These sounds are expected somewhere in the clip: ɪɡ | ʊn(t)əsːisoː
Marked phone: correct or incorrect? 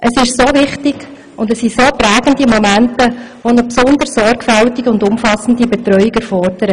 incorrect